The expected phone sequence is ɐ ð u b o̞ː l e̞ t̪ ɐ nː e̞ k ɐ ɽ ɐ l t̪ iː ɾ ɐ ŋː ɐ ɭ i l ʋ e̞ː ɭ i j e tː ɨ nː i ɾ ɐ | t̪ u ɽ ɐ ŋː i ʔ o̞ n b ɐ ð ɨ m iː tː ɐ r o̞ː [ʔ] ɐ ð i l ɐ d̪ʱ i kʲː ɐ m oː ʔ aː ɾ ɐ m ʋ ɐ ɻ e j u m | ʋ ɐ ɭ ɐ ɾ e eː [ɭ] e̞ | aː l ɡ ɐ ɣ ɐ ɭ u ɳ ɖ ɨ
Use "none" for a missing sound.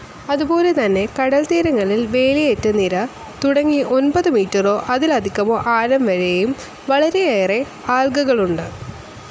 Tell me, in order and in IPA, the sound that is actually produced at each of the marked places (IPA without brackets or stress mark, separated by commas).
ʔ, r